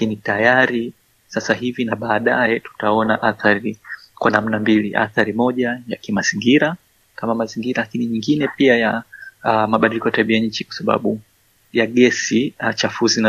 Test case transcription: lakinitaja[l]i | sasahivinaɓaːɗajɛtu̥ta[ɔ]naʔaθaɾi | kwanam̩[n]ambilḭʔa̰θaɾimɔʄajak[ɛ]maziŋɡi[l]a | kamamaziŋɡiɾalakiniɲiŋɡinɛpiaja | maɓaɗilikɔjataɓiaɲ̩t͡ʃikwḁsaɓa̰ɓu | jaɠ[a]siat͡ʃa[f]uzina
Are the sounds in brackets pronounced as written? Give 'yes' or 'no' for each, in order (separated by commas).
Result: no, yes, yes, no, no, no, yes